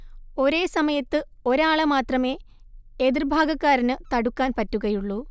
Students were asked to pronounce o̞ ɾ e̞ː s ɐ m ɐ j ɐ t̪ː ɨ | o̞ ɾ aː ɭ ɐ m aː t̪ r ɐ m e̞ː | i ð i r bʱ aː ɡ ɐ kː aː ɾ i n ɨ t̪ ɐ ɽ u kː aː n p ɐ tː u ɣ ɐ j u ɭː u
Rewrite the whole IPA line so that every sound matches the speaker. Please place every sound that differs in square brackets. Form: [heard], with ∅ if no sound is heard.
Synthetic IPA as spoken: o̞ ɾ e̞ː s ɐ m ɐ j ɐ t̪ː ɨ | o̞ ɾ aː ɭ ɐ m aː t̪ r ɐ m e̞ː | [e] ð i r bʱ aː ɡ ɐ kː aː ɾ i n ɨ t̪ ɐ ɽ u kː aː n p ɐ tː u ɣ ɐ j u ɭː u